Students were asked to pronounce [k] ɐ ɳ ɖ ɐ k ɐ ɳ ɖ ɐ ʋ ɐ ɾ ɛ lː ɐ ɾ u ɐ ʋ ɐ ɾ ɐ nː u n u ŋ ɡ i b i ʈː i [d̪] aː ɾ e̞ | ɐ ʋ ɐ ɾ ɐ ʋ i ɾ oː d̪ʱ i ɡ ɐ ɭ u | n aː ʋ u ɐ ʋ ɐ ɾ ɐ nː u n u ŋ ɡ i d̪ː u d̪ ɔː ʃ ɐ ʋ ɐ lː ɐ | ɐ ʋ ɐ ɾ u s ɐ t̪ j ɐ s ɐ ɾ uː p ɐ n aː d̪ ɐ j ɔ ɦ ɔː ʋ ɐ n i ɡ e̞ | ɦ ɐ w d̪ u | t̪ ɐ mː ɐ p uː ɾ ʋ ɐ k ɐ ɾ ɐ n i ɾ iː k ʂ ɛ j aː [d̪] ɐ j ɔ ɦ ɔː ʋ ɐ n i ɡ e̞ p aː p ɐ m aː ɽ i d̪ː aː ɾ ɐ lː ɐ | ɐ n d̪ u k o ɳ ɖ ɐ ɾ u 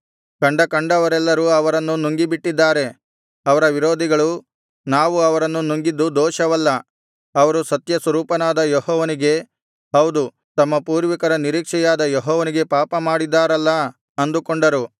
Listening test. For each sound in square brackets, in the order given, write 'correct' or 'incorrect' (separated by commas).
correct, incorrect, correct